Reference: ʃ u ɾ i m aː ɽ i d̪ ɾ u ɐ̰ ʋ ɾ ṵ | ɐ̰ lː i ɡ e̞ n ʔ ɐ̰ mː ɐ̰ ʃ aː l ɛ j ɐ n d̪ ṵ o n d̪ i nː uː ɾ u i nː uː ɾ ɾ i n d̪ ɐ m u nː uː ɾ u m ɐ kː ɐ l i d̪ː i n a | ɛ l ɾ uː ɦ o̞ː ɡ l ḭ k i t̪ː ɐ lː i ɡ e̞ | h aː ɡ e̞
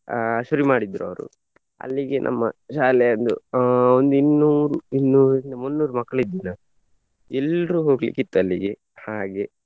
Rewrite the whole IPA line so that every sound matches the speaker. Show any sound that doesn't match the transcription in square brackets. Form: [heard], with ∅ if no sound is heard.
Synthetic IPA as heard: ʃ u ɾ i m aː ɽ i d̪ ɾ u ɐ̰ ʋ ɾ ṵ | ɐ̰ lː i ɡ e̞ n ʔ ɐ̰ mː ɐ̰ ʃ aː l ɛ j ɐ n d̪ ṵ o n d̪ i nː uː ɾ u i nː uː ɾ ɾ i n d̪ ɐ m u nː uː ɾ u m ɐ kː ɐ [ɭ] i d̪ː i n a | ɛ l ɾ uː ɦ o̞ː ɡ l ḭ k i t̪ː ɐ lː i ɡ e̞ | h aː ɡ e̞